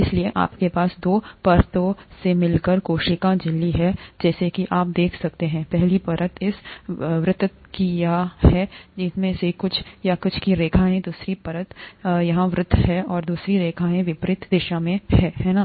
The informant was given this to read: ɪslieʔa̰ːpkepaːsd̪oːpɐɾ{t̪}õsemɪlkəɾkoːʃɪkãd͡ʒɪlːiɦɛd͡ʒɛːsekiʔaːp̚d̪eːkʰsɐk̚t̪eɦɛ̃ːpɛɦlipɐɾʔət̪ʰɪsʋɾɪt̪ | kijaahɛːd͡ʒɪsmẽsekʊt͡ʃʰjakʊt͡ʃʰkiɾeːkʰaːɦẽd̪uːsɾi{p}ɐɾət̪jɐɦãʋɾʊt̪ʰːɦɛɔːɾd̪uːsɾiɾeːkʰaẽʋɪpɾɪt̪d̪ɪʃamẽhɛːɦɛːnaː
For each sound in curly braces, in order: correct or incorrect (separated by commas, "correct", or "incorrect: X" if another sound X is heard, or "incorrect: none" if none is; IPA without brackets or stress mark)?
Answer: correct, correct